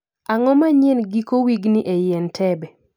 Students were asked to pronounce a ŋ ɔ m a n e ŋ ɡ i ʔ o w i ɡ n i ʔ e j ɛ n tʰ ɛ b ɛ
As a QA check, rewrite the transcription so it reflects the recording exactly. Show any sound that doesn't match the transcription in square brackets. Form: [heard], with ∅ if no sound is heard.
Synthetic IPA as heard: a ŋ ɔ m a [ɲ] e [n] ɡ i [k] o w i ɡ n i ʔ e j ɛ n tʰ ɛ b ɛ